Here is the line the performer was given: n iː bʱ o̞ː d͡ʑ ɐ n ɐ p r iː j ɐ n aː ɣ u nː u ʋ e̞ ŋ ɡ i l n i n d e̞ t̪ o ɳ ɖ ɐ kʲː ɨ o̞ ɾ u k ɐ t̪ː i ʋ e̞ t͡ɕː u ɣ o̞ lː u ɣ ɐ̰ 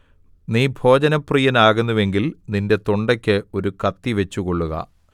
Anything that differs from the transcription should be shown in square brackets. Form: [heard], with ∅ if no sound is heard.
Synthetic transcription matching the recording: n iː bʱ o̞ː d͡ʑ ɐ n ɐ p r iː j ɐ n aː ɣ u nː u ʋ e̞ ŋ ɡ i l n i n d e̞ t̪ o ɳ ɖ ɐ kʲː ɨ o̞ ɾ u k ɐ t̪ː i ʋ e̞ t͡ɕː u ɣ o̞ [ɭː] u ɣ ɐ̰